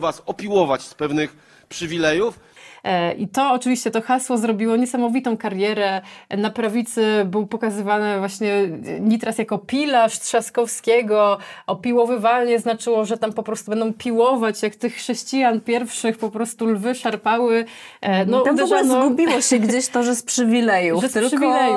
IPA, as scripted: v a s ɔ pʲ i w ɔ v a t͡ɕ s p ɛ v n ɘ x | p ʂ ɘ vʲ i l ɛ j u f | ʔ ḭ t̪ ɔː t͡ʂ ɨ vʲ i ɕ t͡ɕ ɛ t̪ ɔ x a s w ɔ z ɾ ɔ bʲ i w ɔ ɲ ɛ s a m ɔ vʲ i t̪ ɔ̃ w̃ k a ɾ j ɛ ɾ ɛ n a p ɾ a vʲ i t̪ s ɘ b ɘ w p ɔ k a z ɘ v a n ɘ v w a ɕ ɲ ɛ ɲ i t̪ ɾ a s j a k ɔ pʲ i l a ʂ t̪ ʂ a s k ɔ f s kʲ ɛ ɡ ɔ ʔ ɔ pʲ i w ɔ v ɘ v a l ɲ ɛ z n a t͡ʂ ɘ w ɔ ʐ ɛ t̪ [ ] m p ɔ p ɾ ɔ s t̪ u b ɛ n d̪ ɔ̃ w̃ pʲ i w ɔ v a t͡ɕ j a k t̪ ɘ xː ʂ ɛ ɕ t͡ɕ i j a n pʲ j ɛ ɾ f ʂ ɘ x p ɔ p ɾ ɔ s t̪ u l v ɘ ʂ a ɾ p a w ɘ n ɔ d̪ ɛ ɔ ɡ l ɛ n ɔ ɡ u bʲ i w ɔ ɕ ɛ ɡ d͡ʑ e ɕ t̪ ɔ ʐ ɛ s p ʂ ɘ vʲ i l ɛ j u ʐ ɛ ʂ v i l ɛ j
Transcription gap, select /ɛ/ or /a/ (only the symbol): a